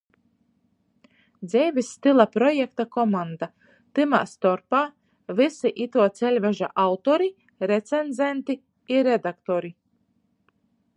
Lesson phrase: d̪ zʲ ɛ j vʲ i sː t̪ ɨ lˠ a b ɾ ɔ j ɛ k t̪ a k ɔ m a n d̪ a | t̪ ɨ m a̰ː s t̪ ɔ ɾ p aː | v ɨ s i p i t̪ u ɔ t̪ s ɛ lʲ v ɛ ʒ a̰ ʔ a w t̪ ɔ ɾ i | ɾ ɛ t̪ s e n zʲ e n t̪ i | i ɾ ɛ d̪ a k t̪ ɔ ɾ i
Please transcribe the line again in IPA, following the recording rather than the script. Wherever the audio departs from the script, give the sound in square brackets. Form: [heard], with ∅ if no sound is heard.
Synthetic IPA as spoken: d̪ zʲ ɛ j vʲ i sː t̪ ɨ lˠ a [p] ɾ ɔ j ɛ k t̪ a k ɔ m a n d̪ a | t̪ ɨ m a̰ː s t̪ ɔ ɾ p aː | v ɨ s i [ʔ] i t̪ u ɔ t̪ s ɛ lʲ v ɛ ʒ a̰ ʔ a w t̪ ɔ ɾ i | ɾ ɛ t̪ s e n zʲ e n t̪ i | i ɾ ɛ d̪ a k t̪ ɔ ɾ i